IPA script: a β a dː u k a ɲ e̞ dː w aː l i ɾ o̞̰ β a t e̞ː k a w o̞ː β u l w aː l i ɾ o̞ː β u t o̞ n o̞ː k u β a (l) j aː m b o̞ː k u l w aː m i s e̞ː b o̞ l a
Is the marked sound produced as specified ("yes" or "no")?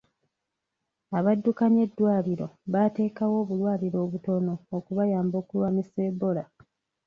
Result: no